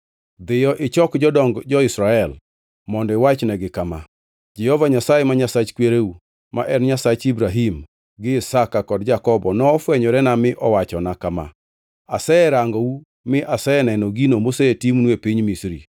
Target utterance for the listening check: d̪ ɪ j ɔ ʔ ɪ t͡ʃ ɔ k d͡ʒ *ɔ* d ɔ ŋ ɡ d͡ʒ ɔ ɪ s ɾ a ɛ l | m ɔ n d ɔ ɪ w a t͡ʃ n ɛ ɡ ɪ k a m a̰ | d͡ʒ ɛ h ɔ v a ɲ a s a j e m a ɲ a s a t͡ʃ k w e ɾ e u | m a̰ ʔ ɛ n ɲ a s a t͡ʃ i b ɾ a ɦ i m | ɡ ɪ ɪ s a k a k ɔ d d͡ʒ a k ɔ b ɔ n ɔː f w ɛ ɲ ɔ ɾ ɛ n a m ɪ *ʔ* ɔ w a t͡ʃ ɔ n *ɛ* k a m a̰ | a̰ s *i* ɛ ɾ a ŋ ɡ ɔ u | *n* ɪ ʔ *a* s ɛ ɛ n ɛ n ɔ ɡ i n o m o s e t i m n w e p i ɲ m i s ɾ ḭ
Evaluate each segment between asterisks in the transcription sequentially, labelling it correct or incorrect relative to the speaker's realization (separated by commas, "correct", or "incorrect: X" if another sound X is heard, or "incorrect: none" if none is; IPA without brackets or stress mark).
correct, correct, incorrect: a, incorrect: ɛ, incorrect: m, correct